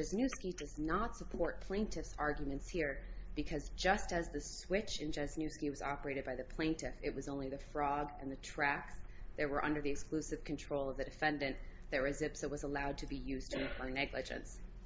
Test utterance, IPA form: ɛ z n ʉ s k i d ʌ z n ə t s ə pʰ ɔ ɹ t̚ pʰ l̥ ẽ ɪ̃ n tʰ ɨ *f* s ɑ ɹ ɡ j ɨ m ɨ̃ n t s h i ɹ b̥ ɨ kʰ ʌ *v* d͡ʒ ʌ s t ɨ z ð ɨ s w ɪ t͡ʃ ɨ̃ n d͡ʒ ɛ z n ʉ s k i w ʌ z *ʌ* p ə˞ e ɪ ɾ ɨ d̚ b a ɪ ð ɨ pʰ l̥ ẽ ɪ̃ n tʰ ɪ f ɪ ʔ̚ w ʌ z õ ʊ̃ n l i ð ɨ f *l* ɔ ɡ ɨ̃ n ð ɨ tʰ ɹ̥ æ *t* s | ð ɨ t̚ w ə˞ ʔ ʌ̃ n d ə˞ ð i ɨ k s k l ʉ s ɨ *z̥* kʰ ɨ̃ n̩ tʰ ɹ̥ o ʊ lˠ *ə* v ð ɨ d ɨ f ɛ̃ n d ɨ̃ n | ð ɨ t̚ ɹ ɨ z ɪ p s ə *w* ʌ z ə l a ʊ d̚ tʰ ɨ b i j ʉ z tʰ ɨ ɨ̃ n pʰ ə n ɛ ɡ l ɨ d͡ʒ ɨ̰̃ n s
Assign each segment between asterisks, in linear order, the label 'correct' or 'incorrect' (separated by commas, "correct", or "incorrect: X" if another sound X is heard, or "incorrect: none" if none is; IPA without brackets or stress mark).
correct, incorrect: z, incorrect: ɑ, incorrect: ɹ, incorrect: k, incorrect: v̥, incorrect: ʌ, correct